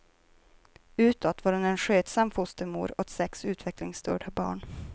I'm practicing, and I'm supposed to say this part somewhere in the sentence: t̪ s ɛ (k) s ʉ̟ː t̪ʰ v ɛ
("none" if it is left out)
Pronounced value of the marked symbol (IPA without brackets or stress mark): k